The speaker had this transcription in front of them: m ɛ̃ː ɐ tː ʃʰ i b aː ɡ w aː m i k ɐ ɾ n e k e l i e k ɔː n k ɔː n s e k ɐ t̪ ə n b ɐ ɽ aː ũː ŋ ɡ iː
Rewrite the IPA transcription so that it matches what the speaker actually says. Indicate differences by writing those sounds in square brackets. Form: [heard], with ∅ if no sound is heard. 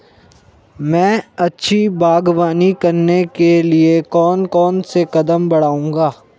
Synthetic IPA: m ɛ̃ː ɐ tː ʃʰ i b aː ɡ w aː [n] i k ɐ ɾ n e k e l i e k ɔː n k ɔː n s e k ɐ [d̪] ə [m] b ɐ ɽ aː ũː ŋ ɡ [aː]